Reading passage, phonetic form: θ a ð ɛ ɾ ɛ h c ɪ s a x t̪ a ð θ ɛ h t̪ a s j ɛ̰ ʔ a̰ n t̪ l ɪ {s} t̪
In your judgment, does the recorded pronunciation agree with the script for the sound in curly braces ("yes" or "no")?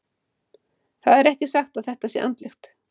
no